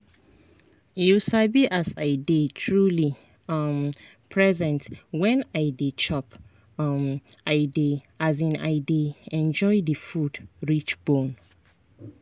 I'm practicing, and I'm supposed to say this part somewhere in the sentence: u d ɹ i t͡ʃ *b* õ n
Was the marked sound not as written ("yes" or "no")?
no